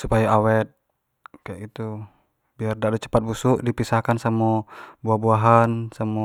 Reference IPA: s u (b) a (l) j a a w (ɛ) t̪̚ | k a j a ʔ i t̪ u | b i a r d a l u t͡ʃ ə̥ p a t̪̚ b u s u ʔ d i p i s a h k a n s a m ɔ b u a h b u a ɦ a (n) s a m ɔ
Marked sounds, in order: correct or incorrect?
incorrect: p, incorrect: none, correct, correct

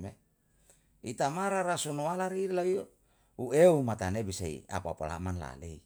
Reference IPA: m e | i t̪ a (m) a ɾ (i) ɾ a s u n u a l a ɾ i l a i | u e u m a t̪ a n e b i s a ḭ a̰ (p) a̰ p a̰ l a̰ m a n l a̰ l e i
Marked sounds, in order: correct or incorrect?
correct, incorrect: a, correct

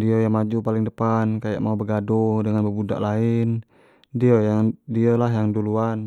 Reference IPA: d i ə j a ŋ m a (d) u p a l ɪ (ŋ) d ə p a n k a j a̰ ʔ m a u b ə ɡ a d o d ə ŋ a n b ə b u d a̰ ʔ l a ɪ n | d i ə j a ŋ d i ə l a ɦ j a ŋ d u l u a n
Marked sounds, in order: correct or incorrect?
incorrect: d͡ʒ, correct

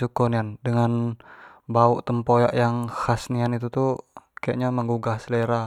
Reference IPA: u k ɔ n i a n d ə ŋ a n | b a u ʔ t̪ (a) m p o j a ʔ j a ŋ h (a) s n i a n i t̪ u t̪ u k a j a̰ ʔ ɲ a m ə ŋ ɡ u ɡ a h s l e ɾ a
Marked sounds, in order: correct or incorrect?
incorrect: ə, correct

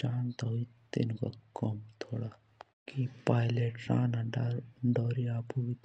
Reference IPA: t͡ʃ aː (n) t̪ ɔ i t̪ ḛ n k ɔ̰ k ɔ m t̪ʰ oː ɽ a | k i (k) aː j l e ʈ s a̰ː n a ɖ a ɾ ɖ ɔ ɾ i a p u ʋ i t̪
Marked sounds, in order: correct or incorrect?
correct, incorrect: p

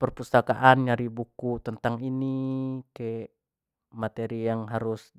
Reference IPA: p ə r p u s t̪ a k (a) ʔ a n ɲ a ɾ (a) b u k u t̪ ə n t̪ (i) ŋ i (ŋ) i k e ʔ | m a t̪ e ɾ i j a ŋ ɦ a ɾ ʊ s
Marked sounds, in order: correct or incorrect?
correct, incorrect: i, incorrect: a, incorrect: n

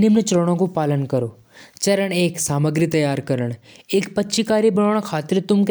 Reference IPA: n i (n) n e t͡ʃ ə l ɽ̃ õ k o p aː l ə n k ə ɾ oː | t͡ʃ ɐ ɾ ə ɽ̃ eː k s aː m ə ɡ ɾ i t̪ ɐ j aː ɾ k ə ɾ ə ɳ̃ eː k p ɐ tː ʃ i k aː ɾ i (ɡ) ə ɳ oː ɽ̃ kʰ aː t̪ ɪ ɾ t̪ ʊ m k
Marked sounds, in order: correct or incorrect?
incorrect: m, incorrect: b

